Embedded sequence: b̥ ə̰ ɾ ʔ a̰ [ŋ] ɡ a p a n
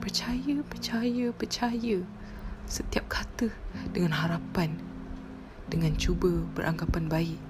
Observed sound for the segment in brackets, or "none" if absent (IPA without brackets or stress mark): ŋ